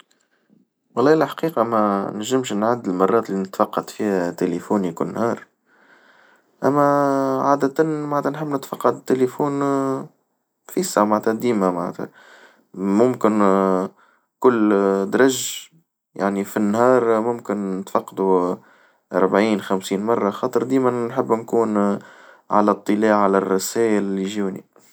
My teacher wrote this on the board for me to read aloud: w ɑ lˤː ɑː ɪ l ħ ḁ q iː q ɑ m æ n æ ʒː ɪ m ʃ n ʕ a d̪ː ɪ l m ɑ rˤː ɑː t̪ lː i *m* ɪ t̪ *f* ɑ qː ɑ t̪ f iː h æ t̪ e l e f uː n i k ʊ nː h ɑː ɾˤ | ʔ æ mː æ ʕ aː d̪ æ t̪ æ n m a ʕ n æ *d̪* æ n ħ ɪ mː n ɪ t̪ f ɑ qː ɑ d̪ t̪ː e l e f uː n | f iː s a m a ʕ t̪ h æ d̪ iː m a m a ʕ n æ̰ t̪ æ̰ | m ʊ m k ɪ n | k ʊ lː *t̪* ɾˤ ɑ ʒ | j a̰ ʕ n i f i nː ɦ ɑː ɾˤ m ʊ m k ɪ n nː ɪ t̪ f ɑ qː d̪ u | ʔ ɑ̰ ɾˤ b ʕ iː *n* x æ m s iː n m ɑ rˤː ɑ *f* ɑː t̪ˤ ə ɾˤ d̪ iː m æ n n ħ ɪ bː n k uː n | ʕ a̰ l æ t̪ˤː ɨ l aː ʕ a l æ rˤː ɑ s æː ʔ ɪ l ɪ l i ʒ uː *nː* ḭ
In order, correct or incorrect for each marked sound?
incorrect, correct, incorrect, incorrect, correct, incorrect, incorrect

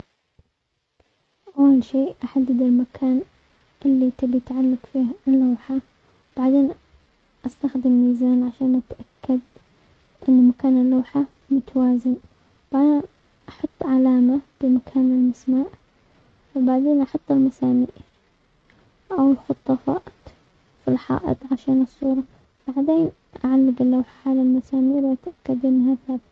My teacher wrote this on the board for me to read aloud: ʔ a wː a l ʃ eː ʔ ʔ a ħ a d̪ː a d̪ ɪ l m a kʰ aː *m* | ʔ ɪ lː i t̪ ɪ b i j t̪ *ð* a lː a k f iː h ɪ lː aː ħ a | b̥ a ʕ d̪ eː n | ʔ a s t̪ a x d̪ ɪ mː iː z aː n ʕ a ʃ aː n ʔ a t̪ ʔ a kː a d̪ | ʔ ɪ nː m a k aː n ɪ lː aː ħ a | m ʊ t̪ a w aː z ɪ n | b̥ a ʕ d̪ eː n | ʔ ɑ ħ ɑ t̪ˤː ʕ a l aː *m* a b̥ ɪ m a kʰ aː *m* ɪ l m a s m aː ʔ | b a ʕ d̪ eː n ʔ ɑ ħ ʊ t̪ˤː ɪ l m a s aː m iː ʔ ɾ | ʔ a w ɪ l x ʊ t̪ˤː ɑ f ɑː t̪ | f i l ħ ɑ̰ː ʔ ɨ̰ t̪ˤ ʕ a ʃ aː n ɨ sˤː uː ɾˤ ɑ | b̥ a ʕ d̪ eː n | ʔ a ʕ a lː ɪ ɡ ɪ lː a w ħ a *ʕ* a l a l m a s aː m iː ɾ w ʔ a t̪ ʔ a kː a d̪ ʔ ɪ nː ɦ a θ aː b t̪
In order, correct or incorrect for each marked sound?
incorrect, incorrect, correct, incorrect, correct

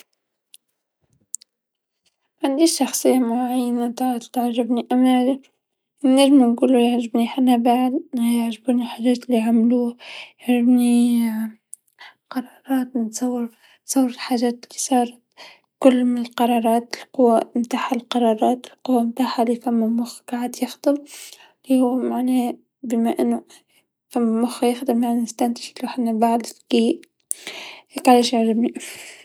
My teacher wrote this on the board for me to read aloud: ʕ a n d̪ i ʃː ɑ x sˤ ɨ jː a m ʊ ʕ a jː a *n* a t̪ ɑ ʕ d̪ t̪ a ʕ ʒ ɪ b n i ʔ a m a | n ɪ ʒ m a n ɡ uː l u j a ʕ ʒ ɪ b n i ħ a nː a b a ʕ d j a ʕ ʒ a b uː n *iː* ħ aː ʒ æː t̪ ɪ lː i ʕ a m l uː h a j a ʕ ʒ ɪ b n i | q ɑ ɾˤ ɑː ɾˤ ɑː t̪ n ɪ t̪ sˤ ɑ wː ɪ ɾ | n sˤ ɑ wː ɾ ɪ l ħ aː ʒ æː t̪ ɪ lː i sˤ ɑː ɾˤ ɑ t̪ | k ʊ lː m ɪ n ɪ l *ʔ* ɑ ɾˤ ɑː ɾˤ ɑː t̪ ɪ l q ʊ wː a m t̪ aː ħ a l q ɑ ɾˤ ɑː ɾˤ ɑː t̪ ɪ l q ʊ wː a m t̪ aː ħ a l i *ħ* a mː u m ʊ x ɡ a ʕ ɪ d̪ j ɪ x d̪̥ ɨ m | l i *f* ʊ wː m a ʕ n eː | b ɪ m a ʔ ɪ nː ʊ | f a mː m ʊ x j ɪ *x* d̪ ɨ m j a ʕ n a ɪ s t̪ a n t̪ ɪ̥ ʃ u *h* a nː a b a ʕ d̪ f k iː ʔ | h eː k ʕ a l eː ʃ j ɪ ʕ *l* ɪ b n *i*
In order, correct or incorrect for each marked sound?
correct, incorrect, incorrect, incorrect, incorrect, correct, incorrect, incorrect, correct

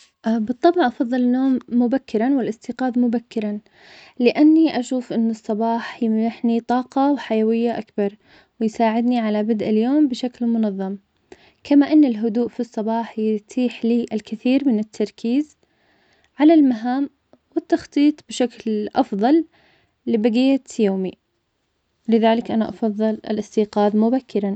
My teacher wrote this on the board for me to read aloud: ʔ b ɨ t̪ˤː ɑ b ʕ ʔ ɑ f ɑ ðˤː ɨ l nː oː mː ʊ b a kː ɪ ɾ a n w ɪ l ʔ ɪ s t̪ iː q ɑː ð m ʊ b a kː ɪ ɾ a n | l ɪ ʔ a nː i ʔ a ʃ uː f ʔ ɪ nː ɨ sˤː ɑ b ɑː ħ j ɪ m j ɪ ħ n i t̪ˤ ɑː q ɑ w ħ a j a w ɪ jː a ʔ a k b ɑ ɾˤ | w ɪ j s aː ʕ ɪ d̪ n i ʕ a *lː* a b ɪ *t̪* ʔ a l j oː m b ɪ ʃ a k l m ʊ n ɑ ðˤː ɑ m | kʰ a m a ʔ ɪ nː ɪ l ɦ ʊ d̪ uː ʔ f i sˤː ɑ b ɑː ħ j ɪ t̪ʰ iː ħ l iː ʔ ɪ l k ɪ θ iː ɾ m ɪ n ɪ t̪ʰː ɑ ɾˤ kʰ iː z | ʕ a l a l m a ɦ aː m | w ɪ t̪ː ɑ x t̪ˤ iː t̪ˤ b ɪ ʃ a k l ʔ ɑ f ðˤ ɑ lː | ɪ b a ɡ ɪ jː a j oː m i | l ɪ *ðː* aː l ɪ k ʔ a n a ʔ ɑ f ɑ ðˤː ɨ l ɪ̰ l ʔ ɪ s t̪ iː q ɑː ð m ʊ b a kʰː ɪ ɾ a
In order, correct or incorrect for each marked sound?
incorrect, incorrect, incorrect

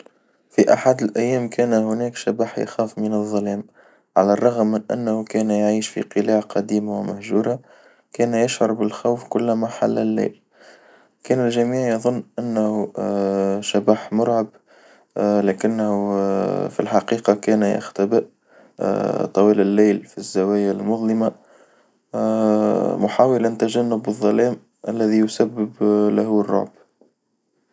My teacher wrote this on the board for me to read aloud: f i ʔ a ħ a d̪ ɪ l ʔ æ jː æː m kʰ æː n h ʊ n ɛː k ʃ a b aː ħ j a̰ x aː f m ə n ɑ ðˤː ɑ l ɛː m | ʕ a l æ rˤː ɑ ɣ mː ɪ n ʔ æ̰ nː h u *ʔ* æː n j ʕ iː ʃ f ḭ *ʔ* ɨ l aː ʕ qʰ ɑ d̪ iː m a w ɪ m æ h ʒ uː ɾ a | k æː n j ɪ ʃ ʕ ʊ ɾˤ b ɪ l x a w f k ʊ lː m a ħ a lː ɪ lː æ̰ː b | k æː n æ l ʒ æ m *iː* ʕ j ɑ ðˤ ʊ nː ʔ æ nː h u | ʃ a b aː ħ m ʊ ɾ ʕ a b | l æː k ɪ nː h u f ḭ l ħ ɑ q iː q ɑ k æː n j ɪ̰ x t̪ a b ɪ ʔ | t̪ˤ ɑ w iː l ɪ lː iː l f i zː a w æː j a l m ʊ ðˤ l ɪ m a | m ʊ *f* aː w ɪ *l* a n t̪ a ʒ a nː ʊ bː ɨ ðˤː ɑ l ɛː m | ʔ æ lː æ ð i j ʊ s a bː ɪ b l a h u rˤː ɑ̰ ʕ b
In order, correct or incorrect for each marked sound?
incorrect, incorrect, correct, incorrect, correct

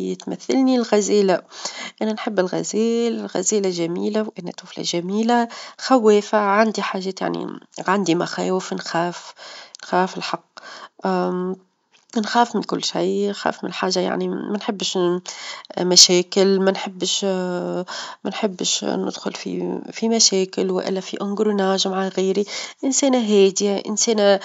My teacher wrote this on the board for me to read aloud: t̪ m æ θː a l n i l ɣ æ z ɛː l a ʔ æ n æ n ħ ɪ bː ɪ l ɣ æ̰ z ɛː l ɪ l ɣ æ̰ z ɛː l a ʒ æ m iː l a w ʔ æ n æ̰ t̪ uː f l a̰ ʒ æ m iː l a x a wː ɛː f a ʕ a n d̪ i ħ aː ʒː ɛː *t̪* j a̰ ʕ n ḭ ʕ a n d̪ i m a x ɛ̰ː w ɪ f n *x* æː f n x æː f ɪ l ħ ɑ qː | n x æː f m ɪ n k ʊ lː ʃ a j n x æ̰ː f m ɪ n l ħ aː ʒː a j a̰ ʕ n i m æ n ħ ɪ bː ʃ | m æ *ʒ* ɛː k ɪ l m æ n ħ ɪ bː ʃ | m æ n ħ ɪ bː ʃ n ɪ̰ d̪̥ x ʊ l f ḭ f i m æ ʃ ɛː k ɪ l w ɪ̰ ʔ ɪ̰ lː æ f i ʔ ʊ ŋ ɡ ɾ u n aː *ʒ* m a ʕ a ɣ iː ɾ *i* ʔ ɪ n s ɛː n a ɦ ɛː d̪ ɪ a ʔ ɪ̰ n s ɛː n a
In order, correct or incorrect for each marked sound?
correct, correct, incorrect, correct, correct

